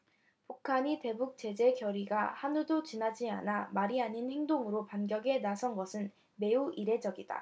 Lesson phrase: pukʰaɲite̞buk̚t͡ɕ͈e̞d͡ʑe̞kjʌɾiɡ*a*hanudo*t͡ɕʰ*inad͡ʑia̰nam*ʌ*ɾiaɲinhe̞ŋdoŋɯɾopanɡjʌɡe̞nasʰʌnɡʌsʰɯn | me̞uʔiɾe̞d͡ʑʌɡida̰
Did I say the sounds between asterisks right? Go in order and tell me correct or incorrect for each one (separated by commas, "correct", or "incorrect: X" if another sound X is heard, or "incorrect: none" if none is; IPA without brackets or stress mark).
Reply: correct, incorrect: t͡ɕ, incorrect: a